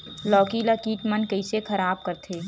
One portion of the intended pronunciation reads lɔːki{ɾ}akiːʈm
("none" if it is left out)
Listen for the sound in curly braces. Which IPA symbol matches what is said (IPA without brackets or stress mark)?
l